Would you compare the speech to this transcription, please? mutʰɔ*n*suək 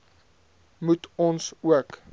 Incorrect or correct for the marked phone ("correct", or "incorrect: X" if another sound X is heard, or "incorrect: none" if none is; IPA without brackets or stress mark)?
correct